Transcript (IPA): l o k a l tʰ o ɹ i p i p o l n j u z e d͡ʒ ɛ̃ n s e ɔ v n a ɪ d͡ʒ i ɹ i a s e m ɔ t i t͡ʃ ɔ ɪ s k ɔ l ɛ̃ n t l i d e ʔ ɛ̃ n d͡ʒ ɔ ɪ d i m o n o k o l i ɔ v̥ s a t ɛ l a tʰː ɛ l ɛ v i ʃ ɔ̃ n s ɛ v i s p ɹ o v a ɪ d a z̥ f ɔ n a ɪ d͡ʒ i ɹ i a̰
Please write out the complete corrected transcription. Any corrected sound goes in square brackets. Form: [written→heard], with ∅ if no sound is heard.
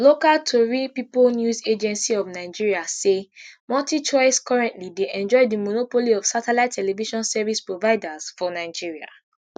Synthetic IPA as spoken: l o k a l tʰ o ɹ i p i p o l n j u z e d͡ʒ ɛ̃ n s [e→i] ɔ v n a ɪ d͡ʒ i ɹ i a s e m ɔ t i t͡ʃ ɔ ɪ s k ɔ [l→ɹ] ɛ̃ n t l i d e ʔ ɛ̃ n d͡ʒ ɔ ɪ d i m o n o [k→p] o l i ɔ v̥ s a t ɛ l a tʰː ɛ l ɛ v i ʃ ɔ̃ n s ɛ v i s p ɹ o v a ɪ d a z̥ f ɔ n a ɪ d͡ʒ i ɹ i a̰